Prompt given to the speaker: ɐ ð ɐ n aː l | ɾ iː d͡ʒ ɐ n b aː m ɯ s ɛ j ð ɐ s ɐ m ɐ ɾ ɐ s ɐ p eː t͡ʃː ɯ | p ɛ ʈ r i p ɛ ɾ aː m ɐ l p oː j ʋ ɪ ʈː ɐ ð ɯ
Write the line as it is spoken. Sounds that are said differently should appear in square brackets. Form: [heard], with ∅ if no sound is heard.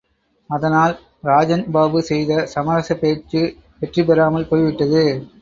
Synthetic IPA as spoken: ɐ ð ɐ n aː l | ɾ [aː] d͡ʒ ɐ n b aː [b] ɯ s ɛ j ð ɐ s ɐ m ɐ ɾ ɐ s ɐ p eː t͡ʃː ɯ | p ɛ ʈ r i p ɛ ɾ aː m ɐ l p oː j ʋ ɪ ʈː ɐ ð ɯ